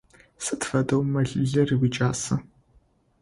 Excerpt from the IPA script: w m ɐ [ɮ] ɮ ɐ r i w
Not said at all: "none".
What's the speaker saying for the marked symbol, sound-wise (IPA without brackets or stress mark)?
ɮ